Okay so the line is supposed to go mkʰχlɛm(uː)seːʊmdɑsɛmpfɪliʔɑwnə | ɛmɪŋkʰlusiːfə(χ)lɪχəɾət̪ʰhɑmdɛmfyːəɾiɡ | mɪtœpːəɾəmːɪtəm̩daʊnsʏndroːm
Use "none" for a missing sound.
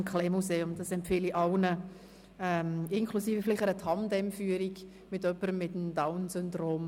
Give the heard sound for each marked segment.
u, f

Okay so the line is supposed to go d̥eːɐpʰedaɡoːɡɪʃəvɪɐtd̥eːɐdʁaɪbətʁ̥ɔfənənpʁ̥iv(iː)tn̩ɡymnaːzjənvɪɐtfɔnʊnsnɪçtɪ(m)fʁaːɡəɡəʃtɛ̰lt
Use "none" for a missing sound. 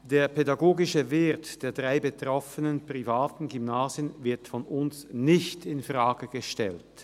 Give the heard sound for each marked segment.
aː, n

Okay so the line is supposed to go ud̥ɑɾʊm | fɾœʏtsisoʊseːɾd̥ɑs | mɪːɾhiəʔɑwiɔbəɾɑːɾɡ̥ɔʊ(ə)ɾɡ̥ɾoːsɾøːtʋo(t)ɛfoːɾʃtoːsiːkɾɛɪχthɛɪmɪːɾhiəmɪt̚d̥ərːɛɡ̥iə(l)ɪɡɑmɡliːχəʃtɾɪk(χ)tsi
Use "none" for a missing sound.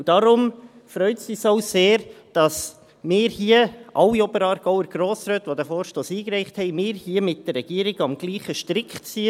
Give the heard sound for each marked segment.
ə, d, ɾ, χ

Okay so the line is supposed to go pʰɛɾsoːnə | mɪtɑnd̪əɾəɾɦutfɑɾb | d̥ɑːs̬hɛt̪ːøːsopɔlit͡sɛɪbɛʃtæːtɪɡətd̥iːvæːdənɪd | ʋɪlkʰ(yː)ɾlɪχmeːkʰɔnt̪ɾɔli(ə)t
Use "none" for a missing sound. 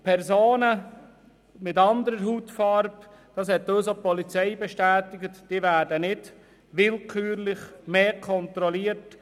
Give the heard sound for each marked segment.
yː, ə

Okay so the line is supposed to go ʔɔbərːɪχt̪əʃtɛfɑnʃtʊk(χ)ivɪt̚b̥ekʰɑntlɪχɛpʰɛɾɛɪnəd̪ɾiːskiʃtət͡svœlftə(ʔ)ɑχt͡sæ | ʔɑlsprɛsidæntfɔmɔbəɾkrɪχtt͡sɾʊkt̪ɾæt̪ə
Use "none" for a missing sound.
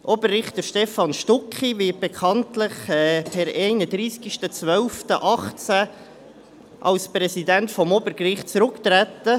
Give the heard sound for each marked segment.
χ, ʔ

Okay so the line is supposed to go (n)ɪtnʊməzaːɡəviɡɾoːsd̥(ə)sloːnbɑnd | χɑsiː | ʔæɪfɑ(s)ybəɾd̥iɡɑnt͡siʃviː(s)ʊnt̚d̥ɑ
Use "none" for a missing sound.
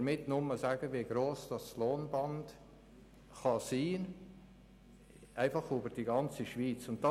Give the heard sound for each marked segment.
m, ɑ, χ, t͡s

